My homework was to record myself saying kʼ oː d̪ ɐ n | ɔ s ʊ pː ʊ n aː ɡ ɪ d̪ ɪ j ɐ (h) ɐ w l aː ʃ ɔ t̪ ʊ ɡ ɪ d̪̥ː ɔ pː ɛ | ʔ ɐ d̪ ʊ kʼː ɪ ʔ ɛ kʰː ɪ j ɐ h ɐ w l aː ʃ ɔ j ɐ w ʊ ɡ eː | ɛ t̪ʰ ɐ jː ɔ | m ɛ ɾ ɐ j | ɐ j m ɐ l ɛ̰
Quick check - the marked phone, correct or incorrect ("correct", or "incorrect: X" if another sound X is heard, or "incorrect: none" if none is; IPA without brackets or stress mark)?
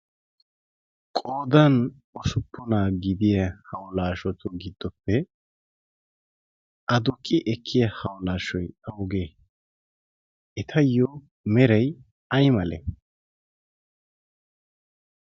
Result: correct